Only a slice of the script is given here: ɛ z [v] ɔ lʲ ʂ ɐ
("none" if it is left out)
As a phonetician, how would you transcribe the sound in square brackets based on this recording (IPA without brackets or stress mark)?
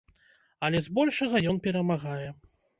b